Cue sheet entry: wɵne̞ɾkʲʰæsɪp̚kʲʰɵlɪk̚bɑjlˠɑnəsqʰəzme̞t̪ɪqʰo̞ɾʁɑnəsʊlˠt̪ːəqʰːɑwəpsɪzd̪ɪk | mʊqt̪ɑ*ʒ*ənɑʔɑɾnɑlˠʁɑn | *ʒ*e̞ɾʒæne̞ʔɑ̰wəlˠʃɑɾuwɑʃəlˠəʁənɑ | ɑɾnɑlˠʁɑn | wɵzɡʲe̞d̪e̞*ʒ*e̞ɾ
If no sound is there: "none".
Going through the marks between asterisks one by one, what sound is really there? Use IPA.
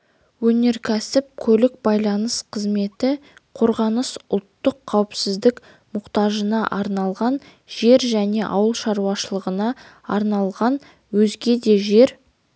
ʒ, ʒ, ʒ

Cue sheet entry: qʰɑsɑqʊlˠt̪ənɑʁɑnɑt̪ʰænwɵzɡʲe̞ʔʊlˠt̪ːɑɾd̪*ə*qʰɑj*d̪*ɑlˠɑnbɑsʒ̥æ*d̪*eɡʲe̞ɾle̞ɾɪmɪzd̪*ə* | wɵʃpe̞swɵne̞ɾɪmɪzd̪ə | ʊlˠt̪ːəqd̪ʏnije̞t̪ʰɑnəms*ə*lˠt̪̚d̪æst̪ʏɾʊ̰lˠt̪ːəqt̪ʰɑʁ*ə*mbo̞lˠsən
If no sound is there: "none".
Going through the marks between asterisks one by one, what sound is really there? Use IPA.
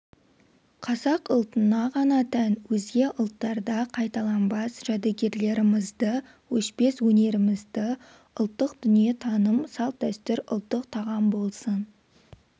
ɑ, t̪, d̪, ə, ɑ, ɑ

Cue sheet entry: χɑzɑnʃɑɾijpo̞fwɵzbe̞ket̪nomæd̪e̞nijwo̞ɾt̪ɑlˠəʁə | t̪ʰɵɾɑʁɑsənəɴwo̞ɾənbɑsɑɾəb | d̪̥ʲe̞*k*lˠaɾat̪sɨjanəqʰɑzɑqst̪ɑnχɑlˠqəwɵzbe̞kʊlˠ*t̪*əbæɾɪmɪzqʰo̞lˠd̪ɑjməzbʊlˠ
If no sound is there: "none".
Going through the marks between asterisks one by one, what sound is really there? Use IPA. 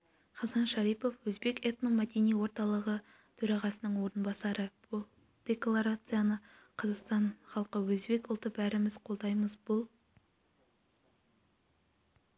k, t̪

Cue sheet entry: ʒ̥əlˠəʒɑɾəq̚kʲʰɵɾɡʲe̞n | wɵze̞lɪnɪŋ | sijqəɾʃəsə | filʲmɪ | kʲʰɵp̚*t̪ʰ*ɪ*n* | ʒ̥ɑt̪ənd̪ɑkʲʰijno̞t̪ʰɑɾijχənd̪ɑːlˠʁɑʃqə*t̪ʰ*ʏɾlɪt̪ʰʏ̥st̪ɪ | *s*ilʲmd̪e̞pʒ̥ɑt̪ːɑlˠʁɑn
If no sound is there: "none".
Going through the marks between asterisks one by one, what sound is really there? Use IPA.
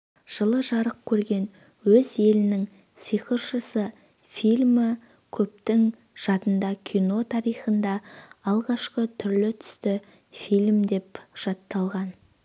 t̪, ŋ, t̪ʰ, f

